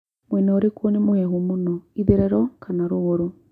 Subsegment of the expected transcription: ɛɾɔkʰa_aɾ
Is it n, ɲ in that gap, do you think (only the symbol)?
n